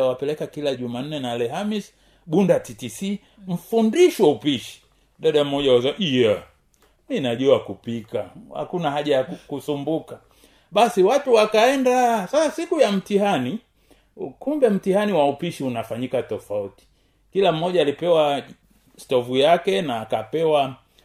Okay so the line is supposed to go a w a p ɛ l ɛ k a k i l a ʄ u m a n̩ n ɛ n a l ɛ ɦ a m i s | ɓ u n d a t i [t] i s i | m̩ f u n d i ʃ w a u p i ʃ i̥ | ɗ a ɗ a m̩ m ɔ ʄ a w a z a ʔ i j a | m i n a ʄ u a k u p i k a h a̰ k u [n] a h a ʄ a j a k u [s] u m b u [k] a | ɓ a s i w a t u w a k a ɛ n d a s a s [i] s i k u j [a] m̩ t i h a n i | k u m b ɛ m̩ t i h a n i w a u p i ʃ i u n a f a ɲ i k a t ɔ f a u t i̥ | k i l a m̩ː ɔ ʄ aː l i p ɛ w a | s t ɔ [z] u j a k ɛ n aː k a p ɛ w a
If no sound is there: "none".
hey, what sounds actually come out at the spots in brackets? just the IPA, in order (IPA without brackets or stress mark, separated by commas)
t, n, s, k, a, a, v